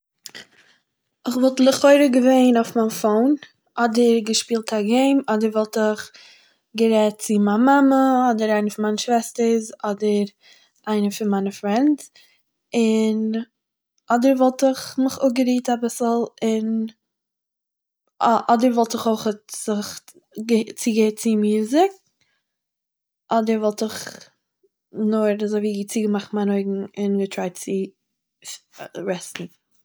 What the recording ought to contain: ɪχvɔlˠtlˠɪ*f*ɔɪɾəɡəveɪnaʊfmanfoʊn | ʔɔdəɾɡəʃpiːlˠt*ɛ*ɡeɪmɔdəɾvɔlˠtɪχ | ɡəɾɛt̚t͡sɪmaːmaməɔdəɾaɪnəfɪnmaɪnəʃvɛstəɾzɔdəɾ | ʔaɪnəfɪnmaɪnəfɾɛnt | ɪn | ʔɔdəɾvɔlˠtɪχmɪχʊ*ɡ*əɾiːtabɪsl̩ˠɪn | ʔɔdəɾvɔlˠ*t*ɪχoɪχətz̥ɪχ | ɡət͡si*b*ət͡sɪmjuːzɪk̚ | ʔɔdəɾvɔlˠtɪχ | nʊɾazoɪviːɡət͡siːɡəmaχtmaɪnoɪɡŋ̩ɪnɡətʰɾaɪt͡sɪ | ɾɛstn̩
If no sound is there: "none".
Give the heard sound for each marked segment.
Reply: χ, a, ɡ, t, ɡ

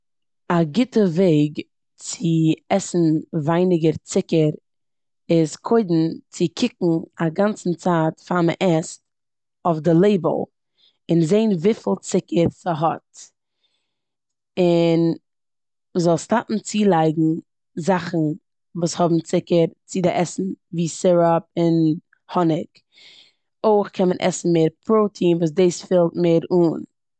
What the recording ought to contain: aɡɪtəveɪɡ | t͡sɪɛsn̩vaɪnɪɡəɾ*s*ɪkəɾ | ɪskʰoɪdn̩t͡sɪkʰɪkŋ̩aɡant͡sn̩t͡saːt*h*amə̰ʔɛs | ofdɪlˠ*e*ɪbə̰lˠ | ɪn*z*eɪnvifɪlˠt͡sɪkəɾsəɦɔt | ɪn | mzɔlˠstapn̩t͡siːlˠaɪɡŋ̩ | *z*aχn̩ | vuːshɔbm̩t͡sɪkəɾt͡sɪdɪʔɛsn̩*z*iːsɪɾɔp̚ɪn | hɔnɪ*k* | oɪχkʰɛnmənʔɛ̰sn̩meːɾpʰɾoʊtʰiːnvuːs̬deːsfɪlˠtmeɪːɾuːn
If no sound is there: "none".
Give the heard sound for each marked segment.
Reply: t͡s, f, e, z, z, v, k

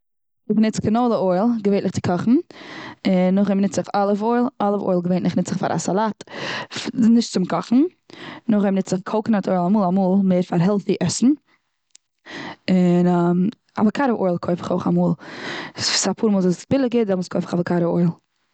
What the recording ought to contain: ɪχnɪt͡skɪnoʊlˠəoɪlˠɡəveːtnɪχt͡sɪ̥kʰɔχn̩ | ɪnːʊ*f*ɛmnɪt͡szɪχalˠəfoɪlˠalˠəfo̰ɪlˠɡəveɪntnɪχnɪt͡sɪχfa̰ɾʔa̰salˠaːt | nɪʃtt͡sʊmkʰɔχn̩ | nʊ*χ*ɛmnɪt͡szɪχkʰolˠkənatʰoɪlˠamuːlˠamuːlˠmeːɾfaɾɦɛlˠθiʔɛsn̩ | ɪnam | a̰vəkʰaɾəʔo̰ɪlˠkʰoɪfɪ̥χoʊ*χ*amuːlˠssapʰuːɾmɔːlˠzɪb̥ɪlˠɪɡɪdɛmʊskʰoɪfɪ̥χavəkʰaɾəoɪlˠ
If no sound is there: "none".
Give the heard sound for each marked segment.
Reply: χ, χ, χ

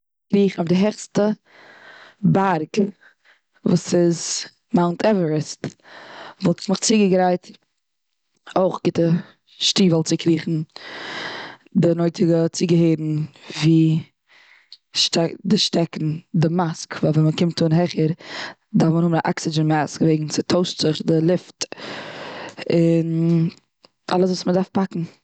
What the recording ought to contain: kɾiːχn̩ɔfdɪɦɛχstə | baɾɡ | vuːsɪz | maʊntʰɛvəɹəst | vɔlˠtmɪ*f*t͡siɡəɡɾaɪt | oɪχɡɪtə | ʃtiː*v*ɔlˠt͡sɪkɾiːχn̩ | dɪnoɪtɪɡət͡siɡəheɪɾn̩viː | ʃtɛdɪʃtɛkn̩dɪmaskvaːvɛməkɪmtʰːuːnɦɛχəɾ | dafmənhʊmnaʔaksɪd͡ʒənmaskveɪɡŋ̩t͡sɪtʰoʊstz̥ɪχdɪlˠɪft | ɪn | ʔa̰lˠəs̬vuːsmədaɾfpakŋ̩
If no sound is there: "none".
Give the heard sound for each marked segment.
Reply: χ, v

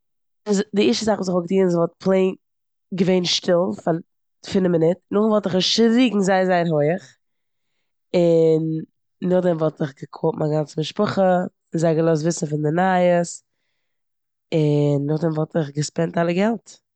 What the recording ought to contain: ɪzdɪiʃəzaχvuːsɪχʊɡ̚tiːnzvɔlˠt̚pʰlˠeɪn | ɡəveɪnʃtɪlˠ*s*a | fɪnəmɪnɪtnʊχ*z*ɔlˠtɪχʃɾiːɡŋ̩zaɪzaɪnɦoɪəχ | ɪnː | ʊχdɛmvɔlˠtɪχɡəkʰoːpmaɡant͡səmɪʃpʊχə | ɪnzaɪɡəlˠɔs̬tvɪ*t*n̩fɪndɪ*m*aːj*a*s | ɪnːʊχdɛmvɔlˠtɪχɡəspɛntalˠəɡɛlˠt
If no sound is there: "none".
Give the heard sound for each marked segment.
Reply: f, v, s, n, ə

